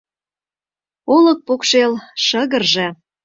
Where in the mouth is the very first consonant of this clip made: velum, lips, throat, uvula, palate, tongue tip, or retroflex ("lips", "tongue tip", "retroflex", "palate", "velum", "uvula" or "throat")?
tongue tip